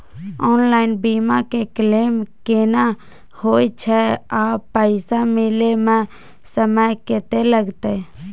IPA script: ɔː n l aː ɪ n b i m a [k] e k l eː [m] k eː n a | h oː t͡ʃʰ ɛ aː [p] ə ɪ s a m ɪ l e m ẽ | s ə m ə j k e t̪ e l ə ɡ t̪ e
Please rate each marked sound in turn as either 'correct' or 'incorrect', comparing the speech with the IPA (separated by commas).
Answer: correct, correct, correct